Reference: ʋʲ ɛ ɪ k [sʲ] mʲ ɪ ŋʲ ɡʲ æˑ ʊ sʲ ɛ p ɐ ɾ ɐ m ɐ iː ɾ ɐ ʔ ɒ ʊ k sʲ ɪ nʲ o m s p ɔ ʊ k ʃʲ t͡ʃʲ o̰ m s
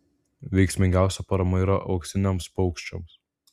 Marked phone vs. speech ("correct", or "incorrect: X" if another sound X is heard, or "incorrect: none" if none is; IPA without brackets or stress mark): correct